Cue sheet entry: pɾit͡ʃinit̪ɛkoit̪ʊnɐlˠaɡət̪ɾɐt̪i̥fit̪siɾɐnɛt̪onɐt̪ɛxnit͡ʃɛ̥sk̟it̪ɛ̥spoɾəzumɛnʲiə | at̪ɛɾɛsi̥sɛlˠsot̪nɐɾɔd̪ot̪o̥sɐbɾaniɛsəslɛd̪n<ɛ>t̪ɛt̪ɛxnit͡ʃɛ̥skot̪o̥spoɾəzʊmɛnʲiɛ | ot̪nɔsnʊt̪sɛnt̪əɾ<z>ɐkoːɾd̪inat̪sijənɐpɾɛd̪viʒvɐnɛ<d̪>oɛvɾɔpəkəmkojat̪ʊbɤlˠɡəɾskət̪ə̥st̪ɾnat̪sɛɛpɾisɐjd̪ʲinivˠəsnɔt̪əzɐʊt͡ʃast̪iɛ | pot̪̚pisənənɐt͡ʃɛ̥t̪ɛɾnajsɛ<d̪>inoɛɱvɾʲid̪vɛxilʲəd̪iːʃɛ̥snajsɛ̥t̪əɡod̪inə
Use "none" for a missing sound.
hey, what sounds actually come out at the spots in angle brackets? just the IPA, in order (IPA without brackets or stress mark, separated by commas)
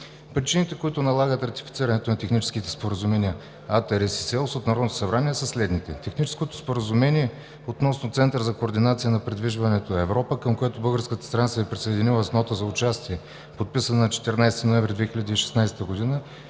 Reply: i, z, t̪, t̪